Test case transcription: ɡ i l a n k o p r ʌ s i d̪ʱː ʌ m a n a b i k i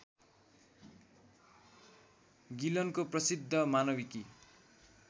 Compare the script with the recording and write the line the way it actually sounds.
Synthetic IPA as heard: ɡ i l ʌ n k o p r ʌ s i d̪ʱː ʌ m a n ʌ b i k i